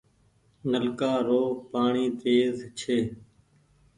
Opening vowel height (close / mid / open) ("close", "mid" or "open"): mid